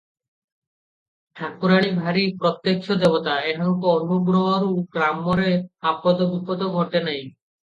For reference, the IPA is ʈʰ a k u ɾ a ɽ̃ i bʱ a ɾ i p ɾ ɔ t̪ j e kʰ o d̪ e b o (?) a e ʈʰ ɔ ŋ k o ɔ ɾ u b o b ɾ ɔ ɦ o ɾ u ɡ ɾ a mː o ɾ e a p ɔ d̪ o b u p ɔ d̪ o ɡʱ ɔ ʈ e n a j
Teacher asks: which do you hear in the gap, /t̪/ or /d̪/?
t̪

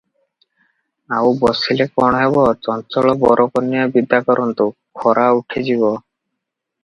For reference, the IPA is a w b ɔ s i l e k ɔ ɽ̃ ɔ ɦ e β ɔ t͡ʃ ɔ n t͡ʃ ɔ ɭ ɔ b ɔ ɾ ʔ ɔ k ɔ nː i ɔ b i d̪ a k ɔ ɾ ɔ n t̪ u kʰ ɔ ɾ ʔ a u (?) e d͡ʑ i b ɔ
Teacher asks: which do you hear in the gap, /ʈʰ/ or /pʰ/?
ʈʰ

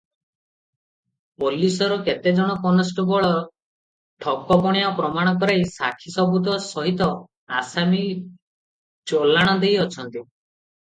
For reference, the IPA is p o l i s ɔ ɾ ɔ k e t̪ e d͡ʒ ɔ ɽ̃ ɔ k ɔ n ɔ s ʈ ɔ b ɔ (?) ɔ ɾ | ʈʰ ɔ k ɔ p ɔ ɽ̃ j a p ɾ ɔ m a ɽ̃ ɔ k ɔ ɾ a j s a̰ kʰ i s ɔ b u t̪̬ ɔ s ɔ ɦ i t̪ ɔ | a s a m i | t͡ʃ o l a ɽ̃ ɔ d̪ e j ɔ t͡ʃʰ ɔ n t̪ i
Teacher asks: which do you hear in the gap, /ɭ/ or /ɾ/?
ɭ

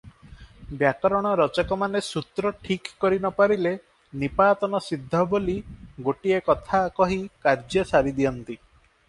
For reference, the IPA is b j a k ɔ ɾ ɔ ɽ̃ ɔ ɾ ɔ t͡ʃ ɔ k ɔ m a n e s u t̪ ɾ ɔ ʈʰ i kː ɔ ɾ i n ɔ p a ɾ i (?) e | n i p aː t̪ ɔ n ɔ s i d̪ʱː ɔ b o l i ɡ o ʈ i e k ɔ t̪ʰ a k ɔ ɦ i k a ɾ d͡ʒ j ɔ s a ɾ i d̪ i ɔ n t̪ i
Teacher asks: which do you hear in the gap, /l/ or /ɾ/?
l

